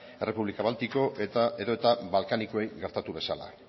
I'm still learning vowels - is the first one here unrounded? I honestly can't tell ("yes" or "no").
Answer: yes